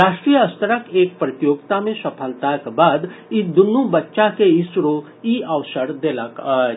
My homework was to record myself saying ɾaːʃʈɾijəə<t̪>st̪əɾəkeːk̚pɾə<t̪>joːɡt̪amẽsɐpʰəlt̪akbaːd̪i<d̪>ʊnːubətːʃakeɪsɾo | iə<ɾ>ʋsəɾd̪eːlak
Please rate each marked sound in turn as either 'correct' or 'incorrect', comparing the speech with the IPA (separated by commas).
incorrect, correct, correct, incorrect